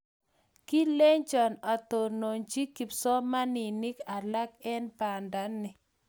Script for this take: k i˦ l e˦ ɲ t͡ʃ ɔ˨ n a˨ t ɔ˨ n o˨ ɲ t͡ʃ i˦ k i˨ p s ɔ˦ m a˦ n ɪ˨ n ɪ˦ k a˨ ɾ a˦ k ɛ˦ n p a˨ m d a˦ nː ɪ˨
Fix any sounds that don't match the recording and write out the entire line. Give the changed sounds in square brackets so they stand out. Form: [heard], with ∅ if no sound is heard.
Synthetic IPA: k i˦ l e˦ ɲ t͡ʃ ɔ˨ n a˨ t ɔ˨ n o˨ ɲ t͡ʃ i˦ k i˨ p s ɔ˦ m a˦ n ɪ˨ n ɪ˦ k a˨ [l] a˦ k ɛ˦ n p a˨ [n] d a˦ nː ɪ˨